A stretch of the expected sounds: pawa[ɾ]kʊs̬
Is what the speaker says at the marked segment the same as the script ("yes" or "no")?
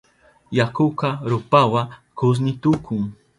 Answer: no